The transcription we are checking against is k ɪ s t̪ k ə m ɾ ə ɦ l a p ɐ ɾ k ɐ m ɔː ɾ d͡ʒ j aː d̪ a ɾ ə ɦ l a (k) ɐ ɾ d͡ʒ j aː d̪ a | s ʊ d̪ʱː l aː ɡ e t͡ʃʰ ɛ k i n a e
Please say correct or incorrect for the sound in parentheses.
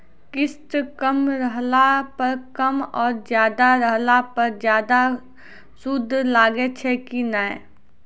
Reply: incorrect